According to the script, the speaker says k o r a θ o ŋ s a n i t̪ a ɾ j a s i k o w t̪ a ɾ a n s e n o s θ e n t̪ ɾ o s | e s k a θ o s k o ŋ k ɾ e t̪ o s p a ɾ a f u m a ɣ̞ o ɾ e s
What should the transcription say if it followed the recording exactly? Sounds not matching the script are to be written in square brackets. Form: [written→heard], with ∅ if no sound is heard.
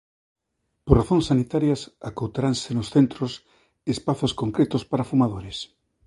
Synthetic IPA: [k→p] o r a θ o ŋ s a n i t̪ a ɾ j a s [i→a] k o w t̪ a ɾ a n s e n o s θ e n t̪ ɾ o s | e s [k→p] a θ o s k o ŋ k ɾ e t̪ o s p a ɾ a f u m a [ɣ̞→ð̞] o ɾ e s

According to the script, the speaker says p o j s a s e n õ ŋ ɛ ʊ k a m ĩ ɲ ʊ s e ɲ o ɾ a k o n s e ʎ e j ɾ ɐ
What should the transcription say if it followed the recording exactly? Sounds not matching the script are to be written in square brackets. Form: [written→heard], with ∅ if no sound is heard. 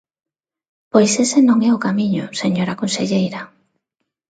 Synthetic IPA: p o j s [a→e] s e n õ ŋ ɛ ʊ k a m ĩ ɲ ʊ s e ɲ o ɾ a k o n s e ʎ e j ɾ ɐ

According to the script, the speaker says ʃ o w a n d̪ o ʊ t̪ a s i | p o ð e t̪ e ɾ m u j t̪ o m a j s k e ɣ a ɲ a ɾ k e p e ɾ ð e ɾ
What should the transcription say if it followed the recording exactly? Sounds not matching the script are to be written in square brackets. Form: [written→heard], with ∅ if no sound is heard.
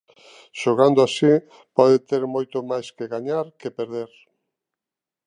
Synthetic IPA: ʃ o [w→ɣ] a n d̪ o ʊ [t̪→∅] a s i | p [o→ɔ] ð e t̪ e ɾ m [u→o] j t̪ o m a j s k e ɣ a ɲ a ɾ k e p e ɾ ð e ɾ

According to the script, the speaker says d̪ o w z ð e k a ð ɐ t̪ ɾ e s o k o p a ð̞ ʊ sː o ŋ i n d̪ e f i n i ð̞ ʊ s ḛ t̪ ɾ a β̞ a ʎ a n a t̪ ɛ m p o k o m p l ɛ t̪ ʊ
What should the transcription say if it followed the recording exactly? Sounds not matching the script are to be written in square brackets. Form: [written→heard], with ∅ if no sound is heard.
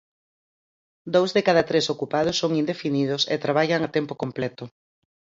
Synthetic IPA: d̪ o w z ð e k a ð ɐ t̪ ɾ e s o k [o→u] p a ð̞ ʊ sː o ŋ i n d̪ e f i n i ð̞ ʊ s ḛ t̪ ɾ a β̞ a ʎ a [n→ŋ] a t̪ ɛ m p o k o m p l ɛ t̪ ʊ

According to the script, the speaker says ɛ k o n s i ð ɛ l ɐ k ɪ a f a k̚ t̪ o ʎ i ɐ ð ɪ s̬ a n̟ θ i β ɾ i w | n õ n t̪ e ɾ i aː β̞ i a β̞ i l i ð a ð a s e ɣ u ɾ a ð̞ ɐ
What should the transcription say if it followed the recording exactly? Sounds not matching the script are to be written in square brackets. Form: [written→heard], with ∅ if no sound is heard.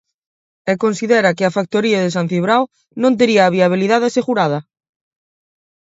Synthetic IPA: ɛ k o n s i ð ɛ [l→ɾ] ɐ k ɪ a f a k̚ t̪ o [ʎ→ɾ] i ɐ ð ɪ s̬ a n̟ θ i β ɾ [i→a] w | n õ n t̪ e ɾ i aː β̞ i a β̞ i l i ð a ð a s e ɣ u ɾ a ð̞ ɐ

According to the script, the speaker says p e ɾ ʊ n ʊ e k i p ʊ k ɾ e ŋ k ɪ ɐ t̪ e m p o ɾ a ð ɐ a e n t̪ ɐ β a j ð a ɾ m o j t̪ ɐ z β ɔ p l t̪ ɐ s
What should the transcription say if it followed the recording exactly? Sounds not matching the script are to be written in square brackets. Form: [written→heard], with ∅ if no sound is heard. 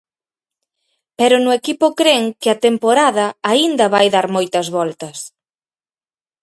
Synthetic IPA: p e ɾ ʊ n ʊ e k i p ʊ k ɾ e ŋ k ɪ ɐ t̪ e m p o ɾ a ð ɐ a [e→i] n [t̪→d̪] ɐ β a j ð a ɾ m o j t̪ ɐ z β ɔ [p→∅] l t̪ ɐ s

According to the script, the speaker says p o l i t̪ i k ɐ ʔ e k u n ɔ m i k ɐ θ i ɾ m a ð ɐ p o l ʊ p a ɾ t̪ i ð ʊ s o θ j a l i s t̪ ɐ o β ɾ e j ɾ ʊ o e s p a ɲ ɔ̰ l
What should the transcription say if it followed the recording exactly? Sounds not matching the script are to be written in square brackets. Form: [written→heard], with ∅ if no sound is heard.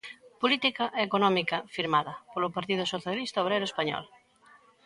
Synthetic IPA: p o l i t̪ i k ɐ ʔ e k [u→o] n ɔ m i k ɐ [θ→f] i ɾ m a ð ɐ p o l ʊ p a ɾ t̪ i ð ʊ s o θ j a l i s t̪ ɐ o β ɾ e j ɾ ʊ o e s p a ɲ ɔ̰ l

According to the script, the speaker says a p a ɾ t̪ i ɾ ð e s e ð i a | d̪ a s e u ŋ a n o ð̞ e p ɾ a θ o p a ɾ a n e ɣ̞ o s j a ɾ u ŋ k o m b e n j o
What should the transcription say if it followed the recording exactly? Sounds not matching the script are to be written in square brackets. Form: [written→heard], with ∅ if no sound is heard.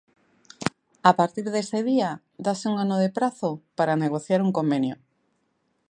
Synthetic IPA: a p a ɾ t̪ i ɾ ð e s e ð i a | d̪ a s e u ŋ a n o ð̞ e p ɾ a θ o p a ɾ a n e ɣ̞ o [s→θ] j a ɾ u ŋ k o m b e n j o

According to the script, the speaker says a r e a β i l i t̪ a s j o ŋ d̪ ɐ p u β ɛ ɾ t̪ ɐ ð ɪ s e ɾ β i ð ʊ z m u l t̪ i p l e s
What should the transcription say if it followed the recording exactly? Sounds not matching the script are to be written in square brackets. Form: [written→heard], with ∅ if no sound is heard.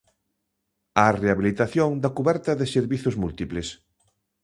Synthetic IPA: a r e a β i l i t̪ a [s→θ] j o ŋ d̪ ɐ [p→k] u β ɛ ɾ t̪ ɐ ð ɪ s e ɾ β i [ð→θ] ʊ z m u l t̪ i p l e s

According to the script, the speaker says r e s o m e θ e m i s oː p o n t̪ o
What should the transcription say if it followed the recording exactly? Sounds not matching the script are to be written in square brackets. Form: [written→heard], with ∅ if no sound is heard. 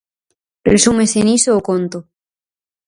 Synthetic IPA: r e s [o→u] m e [θ→s] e [m→n] i s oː [p→k] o n t̪ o

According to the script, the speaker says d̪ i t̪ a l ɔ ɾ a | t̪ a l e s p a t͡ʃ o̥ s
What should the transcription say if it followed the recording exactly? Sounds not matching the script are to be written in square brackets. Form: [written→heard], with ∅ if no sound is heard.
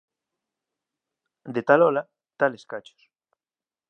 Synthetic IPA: d̪ [i→e] t̪ a l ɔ [ɾ→l] a | t̪ a l e s [p→k] a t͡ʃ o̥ s

